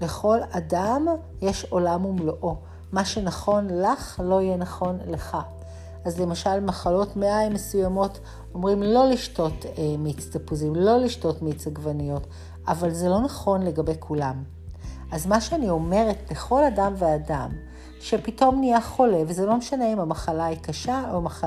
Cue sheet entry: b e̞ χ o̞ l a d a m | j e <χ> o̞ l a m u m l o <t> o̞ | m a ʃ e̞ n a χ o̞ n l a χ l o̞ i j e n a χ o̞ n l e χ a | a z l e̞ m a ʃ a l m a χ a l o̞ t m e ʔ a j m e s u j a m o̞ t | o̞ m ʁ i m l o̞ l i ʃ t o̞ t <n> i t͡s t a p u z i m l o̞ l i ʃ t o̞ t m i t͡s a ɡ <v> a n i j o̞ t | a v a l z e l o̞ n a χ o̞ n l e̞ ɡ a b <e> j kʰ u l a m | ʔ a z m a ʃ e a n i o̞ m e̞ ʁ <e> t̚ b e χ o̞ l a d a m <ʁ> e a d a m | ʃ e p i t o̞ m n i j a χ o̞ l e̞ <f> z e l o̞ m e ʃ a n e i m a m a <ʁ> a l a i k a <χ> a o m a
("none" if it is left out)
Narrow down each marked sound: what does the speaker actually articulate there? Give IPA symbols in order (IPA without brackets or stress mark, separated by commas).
ʃ, ʔ, m, v, e, e, v, v, χ, ʃ